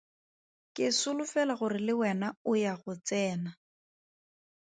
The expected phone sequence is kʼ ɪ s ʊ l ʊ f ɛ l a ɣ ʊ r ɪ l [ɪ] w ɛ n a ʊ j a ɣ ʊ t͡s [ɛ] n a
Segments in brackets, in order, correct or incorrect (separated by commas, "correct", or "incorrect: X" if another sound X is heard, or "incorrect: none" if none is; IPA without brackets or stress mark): correct, incorrect: ɛː